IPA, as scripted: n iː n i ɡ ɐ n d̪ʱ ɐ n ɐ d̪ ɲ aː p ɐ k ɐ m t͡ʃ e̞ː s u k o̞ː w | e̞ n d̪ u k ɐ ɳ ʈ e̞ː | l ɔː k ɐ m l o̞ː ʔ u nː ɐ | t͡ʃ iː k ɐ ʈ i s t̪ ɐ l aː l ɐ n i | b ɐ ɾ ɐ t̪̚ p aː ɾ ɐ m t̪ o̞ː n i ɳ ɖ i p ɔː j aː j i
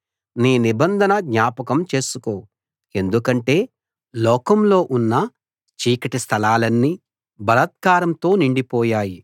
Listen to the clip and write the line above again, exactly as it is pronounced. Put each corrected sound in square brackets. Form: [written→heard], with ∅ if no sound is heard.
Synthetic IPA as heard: n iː n i [ɡ→b] ɐ n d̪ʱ ɐ n ɐ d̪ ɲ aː p ɐ k ɐ m t͡ʃ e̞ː s u k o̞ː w | e̞ n d̪ u k ɐ ɳ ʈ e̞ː | l ɔː k ɐ m l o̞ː ʔ u nː ɐ | t͡ʃ iː k ɐ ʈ i s [t̪→t̪ʰ] ɐ l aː l ɐ [n→nː] i | b ɐ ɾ ɐ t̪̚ [p→k] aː ɾ ɐ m t̪ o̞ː n i ɳ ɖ i p ɔː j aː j i

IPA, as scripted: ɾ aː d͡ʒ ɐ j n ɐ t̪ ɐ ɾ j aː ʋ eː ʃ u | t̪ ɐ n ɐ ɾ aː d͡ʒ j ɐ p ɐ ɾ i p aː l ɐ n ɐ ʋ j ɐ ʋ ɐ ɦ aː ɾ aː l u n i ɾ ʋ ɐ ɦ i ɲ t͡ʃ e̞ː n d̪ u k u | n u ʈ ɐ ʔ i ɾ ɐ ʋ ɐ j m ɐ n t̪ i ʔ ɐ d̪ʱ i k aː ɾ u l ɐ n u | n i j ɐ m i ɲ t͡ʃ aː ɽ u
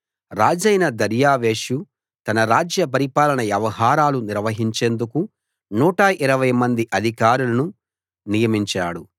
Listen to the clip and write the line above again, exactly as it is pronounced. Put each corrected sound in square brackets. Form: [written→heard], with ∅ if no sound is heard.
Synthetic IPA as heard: ɾ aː d͡ʒ ɐ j n ɐ [t̪→d̪] ɐ ɾ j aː ʋ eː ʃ u | t̪ ɐ n ɐ ɾ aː d͡ʒ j ɐ p ɐ ɾ i p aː l ɐ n ɐ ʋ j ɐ ʋ ɐ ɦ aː ɾ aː l u n i ɾ ʋ ɐ ɦ i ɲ t͡ʃ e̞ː n d̪ u k u | n [u→uː] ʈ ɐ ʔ i ɾ ɐ ʋ ɐ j m ɐ n [t̪→d̪] i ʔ ɐ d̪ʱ i k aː ɾ u l ɐ n u | n i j ɐ m i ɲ t͡ʃ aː ɽ u

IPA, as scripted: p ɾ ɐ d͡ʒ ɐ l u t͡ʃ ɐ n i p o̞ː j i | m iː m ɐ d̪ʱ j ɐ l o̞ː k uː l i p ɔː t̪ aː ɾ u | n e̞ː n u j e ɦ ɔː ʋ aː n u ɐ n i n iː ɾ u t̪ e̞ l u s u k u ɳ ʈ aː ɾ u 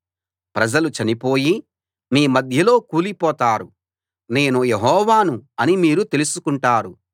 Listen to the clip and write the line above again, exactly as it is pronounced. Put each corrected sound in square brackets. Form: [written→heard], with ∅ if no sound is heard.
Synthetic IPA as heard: p ɾ ɐ d͡ʒ ɐ l u t͡ʃ ɐ n i p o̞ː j i | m iː m ɐ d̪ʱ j ɐ l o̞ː k uː l i p ɔː t̪ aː ɾ u | n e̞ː n u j e ɦ ɔː ʋ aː n u ɐ n i [n→m] iː ɾ u t̪ e̞ l u s u k u ɳ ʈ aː ɾ u

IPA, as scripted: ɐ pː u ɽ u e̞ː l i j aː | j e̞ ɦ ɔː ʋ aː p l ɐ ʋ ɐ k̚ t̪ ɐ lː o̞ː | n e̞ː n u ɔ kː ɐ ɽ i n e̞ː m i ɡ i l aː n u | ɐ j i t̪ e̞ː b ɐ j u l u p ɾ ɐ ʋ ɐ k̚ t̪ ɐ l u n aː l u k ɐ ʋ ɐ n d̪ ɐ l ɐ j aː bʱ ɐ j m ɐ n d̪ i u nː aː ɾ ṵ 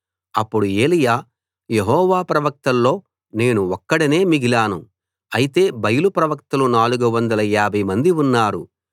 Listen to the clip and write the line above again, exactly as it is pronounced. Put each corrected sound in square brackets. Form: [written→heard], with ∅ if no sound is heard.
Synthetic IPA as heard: ɐ pː u ɽ u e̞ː l i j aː | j e̞ ɦ ɔː ʋ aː p [l→ɾ] ɐ ʋ ɐ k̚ t̪ ɐ lː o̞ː | n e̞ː n u ɔ kː ɐ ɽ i n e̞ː m i ɡ i l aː n u | ɐ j i t̪ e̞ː b ɐ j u l u p ɾ ɐ ʋ ɐ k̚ t̪ ɐ l u n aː l u [k→ɡ] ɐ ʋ ɐ n d̪ ɐ l ɐ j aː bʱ ɐ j m ɐ n d̪ i u nː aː ɾ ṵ

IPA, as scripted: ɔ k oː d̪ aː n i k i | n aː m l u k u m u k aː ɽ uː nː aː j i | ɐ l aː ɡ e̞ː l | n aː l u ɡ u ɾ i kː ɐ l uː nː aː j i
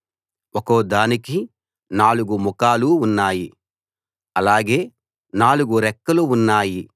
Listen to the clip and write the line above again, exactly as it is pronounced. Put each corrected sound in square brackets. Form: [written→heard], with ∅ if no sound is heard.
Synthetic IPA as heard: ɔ k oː d̪ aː n i k i | n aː [m→∅] l u [k→ɡ] u m u k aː [ɽ→l] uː nː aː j i | ɐ l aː ɡ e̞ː [l→∅] | n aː l u ɡ u ɾ [i→ɛ] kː ɐ l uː nː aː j i

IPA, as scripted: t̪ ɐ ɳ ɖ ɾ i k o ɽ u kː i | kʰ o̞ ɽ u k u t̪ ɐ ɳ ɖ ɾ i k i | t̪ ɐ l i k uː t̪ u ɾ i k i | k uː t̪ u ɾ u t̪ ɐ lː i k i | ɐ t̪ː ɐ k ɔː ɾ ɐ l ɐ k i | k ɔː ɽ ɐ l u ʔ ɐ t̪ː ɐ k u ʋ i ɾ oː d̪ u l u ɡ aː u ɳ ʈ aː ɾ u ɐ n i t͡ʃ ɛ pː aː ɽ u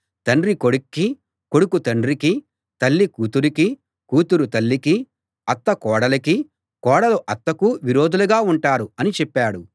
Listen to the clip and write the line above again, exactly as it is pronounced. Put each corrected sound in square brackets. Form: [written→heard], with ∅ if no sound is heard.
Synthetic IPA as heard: t̪ ɐ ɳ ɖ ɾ i k o ɽ u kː i | [kʰ→k] o̞ ɽ u k u t̪ ɐ ɳ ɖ ɾ i k i | t̪ ɐ [l→lː] i k uː t̪ u ɾ i k i | k uː t̪ u ɾ u t̪ ɐ lː i k i | ɐ t̪ː ɐ k ɔː [ɾ→ɽ] ɐ l ɐ k i | k ɔː ɽ ɐ l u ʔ ɐ t̪ː ɐ k u ʋ i ɾ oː d̪ u l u ɡ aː u ɳ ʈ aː ɾ u ɐ n i t͡ʃ ɛ pː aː ɽ u

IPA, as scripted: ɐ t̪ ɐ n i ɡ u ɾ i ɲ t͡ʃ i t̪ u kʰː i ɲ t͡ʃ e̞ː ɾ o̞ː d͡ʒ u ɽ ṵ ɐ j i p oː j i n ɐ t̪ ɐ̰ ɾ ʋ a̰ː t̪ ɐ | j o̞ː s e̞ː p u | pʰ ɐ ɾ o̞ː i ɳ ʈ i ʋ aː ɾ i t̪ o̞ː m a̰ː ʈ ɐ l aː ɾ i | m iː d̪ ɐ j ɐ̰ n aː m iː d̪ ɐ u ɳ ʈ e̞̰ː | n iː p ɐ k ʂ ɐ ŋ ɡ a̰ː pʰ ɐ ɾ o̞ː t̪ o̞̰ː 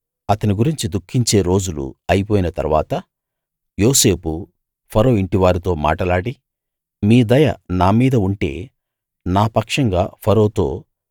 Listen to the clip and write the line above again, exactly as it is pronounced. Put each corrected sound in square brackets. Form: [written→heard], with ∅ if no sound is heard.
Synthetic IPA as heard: ɐ t̪ ɐ n i ɡ u ɾ i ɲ t͡ʃ i [t̪→d̪] u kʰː i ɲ t͡ʃ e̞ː ɾ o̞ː d͡ʒ u [ɽ→l] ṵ ɐ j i p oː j i n ɐ t̪ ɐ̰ ɾ ʋ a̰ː t̪ ɐ | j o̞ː s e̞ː p u | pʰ ɐ ɾ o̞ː i ɳ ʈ i ʋ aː ɾ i t̪ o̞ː m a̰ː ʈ ɐ l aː [ɾ→ɽ] i | m iː d̪ ɐ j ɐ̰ n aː m iː d̪ ɐ u ɳ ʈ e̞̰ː | n [iː→aː] p ɐ k ʂ ɐ ŋ ɡ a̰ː pʰ ɐ ɾ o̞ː t̪ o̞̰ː

